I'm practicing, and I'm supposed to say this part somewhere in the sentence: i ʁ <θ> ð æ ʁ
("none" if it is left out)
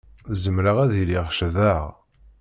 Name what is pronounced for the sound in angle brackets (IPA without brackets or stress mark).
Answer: ʃ